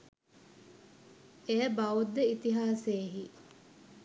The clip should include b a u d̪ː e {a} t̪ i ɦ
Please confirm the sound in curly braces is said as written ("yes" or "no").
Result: no